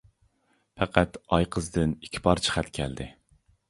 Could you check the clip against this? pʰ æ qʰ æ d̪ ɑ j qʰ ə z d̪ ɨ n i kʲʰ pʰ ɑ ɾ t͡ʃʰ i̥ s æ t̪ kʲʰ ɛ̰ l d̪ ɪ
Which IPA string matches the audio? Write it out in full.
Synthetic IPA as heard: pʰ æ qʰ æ t̪ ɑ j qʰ ə z d̪ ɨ n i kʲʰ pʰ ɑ ɾ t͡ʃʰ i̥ χ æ t̪ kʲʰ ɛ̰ l d̪ ɪ

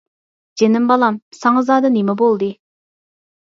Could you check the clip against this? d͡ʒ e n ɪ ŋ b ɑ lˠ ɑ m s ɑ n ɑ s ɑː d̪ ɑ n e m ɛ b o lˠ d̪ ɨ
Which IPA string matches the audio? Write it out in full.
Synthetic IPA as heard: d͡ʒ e n ɪ m b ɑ lˠ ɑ m s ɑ ŋ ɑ z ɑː d̪ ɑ n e m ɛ b o lˠ d̪ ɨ

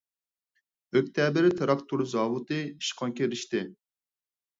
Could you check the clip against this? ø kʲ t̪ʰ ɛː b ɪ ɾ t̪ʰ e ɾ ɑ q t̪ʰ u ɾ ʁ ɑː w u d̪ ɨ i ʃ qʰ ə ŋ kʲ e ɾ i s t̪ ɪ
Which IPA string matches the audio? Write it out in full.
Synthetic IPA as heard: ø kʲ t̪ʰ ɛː b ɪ ɾ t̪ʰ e ɾ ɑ k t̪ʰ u ɾ z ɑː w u t̪ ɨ i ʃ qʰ ɑ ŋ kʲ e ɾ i ʃ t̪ ɪ

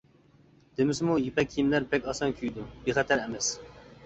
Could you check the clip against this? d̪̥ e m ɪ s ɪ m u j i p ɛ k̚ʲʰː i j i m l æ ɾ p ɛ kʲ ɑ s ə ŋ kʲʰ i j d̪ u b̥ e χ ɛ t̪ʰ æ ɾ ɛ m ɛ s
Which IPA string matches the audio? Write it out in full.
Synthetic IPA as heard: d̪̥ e m ɪ s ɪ m u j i p ɛ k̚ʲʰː i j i m l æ ɾ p ɛ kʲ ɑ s ɑ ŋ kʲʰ y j d̪ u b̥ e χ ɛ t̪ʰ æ ɾ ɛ m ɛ s

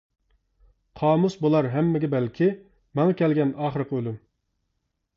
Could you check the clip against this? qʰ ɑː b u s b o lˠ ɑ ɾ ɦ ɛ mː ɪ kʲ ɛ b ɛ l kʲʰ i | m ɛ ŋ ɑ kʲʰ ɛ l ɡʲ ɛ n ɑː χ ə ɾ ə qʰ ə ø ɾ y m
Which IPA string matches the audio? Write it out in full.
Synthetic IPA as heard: qʰ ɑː m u s b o lˠ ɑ ɾ ɦ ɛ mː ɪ ɡʲ ɛ b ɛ l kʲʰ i | m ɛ ŋ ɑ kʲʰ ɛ l ɡʲ ɛ n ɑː χ ə ɾ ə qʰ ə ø l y m

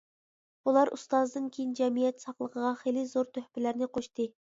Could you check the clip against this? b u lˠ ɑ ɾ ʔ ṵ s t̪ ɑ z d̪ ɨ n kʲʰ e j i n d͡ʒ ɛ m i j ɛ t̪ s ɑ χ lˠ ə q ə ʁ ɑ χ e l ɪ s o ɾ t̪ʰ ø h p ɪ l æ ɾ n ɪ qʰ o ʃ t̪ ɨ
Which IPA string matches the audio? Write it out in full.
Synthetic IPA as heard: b u lˠ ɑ ɾ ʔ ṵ s t̪ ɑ z d̪ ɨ n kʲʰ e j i n d͡ʒ ɛ m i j ɛ t̪ s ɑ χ lˠ ə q ə ʁ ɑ χ e l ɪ z o ɾ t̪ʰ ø h p ɪ l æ ɾ n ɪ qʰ o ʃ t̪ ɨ

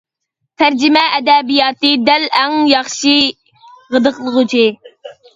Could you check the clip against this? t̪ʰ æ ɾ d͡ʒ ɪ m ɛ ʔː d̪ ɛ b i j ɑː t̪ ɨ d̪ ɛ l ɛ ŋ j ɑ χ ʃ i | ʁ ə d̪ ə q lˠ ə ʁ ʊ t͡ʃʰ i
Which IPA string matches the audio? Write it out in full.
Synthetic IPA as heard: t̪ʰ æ ɾ d͡ʒ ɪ m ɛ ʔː d̪ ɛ b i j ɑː t̪ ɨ d̪ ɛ l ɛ ŋ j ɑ χ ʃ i | ʁ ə d̪ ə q lˠ ə ʁ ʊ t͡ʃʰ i

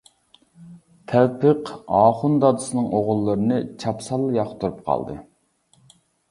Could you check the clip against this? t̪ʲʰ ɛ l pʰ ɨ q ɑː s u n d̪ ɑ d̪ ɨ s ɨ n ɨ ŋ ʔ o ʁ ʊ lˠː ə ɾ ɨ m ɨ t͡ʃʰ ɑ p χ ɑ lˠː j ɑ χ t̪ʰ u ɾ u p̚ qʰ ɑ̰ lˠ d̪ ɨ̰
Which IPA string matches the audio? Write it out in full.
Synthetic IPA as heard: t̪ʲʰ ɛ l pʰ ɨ q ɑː χ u n d̪ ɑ d̪ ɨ s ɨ n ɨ ŋ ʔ o ʁ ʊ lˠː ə ɾ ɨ n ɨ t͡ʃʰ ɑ p s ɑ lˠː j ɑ χ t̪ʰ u ɾ u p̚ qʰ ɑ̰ lˠ d̪ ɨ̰

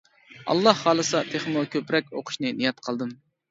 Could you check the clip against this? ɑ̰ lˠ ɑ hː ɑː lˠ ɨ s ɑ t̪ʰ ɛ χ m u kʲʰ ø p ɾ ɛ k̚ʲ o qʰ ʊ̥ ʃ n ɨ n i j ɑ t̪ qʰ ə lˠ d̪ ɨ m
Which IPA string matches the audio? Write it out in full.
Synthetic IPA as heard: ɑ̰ lˠː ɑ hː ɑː lˠ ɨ s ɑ t̪ʰ e χ m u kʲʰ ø p ɾ ɛ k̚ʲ o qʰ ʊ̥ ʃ n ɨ n i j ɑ t̪ qʰ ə lˠ d̪ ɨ m

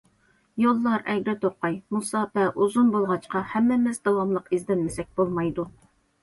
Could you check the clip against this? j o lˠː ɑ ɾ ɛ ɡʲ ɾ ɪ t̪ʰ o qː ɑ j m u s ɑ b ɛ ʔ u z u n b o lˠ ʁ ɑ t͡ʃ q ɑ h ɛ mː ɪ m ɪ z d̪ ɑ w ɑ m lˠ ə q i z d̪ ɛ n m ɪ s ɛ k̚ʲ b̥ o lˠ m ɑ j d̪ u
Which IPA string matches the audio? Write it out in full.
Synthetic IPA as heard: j o lˠː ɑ ɾ ɛ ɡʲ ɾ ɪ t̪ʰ o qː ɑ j m u s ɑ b ɛ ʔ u z u n b o lˠ ʁ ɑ t͡ʃ q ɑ h ɛ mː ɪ m ɪ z d̪ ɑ w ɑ m lˠ ə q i z d̪ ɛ n m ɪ s ɛ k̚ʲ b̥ o lˠ m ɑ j d̪ u

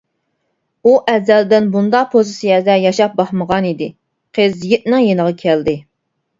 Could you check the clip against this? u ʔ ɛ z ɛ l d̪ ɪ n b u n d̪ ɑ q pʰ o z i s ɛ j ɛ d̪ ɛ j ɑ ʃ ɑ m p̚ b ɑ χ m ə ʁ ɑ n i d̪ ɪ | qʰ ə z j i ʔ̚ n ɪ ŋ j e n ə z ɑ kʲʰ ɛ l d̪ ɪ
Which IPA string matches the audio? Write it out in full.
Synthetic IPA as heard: u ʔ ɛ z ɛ l d̪ ɪ n b u n d̪ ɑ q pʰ o z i s i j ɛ d̪ ɛ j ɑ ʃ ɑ p̚ b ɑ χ m ə ʁ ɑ n i d̪ ɪ | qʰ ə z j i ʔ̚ n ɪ ŋ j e n ə ʁ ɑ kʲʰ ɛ l d̪ ɪ

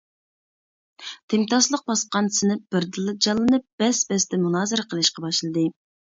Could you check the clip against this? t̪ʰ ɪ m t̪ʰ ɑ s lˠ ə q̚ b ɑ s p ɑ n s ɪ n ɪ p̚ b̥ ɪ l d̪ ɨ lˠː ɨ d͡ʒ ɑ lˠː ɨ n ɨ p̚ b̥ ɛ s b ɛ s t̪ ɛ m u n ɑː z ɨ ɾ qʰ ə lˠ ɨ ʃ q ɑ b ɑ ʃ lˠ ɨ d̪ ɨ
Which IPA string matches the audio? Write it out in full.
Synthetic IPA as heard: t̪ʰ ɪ m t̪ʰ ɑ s lˠ ə q̚ b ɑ s q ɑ n s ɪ n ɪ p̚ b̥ ɪ ɾ d̪ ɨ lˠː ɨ d͡ʒ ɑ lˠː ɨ n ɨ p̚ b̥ ɛ s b ɛ s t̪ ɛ m u n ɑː z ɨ ɾ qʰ ə lˠ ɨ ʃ q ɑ b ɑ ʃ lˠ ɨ d̪ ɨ

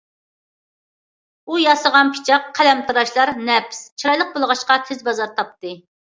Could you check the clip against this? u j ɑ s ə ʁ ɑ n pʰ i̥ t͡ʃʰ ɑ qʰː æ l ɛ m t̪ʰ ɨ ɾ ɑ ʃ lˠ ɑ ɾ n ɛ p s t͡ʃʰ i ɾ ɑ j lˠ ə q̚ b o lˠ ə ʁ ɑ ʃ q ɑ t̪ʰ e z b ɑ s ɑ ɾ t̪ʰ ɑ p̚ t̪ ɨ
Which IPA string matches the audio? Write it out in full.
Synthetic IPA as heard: u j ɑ s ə ʁ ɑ n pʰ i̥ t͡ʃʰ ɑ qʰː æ l ɛ m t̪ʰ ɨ ɾ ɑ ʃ lˠ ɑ ɾ n ɛ p s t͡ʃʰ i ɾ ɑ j lˠ ə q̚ b o lˠ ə ʁ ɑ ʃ q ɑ t̪ʰ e z b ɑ z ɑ ɾ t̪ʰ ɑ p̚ t̪ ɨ

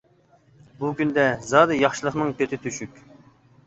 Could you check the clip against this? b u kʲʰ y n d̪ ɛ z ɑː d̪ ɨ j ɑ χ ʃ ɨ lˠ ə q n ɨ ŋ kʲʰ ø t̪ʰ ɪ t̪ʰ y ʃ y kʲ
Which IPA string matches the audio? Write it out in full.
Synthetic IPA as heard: b u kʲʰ y n d̪ ɛ z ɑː d̪ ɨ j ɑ χ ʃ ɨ lˠ ə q n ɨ ŋ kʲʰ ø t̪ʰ ɪ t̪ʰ y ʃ y kʲ

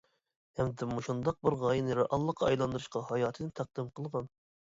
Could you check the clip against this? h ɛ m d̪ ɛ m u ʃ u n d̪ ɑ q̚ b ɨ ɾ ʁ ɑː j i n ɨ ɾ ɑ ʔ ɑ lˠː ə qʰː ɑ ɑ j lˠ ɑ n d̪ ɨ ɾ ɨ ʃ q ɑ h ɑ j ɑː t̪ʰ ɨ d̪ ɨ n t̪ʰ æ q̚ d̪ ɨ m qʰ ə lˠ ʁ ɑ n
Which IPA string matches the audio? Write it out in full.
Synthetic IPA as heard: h ɛ m d̪ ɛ m u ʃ u n d̪ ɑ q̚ b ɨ ɾ ʁ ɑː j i n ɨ ɾ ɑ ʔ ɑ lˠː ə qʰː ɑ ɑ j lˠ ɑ n d̪ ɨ ɾ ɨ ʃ q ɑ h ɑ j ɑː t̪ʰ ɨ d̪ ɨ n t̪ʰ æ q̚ d̪ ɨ m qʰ ə lˠ ʁ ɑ n

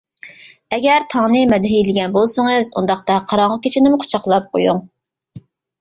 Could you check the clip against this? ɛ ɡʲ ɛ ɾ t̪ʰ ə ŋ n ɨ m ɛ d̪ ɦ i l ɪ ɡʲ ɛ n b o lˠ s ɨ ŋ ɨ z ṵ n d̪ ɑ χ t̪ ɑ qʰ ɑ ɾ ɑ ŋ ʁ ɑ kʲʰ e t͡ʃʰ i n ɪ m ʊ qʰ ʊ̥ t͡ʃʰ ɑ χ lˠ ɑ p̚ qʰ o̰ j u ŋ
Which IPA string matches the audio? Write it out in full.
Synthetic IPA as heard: ɛ ɡʲ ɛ ɾ t̪ʰ ɑ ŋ n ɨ m ɛ d̪ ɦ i l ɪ ɡʲ ɛ n b o lˠ s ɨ ŋ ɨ z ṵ n d̪ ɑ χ t̪ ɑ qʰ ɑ ɾ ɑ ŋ ʁ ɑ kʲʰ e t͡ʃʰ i n ɪ m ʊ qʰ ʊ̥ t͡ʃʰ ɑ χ lˠ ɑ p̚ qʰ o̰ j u ŋ

